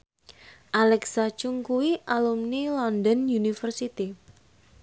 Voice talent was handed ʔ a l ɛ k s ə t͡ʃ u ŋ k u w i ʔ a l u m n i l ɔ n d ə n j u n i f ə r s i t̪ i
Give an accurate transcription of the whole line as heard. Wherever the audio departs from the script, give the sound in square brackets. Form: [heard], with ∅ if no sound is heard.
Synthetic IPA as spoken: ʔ a l ɛ k s [a] t͡ʃ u ŋ k u w i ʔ a l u m n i l ɔ n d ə n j u n i f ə r s i t̪ i